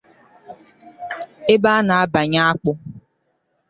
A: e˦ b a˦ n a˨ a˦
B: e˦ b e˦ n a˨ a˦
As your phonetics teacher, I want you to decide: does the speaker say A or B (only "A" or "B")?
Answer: A